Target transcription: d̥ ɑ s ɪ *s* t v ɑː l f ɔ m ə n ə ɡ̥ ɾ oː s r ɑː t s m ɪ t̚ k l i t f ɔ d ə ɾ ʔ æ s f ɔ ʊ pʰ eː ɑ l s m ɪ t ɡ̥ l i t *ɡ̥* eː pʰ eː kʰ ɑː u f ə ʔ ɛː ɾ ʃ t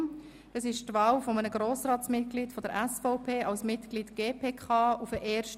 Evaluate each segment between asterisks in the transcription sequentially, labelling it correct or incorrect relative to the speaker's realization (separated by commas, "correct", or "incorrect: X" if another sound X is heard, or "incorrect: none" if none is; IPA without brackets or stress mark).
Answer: incorrect: ʃ, correct